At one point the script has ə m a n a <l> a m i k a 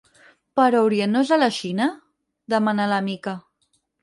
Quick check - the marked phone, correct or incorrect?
correct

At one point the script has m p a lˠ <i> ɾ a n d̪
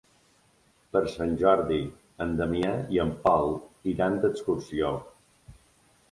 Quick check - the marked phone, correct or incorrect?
correct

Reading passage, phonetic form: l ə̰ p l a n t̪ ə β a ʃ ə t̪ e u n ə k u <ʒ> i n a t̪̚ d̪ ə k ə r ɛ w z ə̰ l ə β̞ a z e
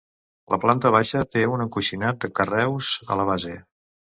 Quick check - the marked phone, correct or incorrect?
incorrect: ʃ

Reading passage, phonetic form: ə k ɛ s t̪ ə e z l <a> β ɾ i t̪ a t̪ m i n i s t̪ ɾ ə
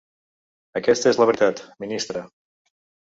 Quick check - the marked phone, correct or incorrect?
incorrect: ə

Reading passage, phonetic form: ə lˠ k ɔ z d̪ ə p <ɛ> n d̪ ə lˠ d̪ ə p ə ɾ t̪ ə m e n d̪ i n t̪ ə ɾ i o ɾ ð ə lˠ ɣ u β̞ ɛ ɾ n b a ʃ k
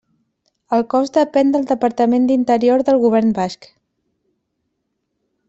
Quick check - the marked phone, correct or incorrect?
correct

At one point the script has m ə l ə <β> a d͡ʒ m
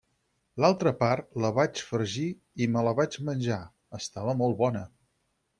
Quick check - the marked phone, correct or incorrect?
correct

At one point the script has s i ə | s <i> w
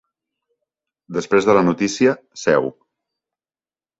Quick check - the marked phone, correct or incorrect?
incorrect: ɛ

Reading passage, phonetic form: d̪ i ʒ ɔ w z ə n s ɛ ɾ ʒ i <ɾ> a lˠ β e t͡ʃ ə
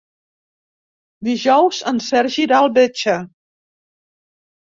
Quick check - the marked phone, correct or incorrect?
correct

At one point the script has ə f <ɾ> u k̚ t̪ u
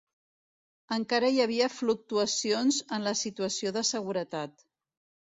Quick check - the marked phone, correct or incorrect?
incorrect: l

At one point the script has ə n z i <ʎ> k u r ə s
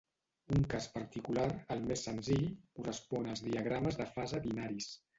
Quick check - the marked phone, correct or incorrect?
correct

